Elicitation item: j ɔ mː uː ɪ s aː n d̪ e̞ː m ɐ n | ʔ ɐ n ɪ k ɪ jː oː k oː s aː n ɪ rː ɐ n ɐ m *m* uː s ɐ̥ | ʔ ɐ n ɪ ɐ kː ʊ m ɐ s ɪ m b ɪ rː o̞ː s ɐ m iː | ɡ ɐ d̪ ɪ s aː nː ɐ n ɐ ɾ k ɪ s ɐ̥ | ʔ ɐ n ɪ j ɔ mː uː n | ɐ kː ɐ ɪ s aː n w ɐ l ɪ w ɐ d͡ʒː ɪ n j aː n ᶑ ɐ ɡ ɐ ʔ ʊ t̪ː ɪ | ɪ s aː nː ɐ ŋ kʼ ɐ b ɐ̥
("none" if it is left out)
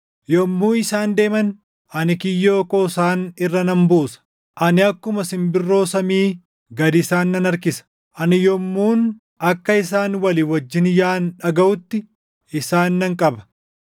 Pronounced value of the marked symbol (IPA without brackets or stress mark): b